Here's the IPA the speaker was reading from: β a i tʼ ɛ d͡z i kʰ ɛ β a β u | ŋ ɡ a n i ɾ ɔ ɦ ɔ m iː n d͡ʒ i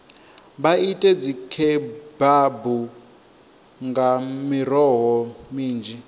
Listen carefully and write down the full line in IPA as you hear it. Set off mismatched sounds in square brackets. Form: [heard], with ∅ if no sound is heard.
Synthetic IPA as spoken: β a i tʼ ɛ d͡z i kʰ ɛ [b] a [b] u | ŋ ɡ a [m] i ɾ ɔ ɦ ɔ m iː n d͡ʒ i